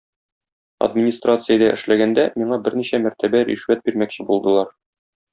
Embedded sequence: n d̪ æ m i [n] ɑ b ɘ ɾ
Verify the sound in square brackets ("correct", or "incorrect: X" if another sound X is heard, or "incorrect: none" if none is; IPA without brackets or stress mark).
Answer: incorrect: ɴ